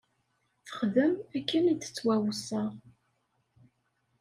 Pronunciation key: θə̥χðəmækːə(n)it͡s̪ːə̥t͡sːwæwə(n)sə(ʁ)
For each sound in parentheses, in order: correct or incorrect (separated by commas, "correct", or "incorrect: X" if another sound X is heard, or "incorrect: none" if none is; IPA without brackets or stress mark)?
correct, incorrect: none, correct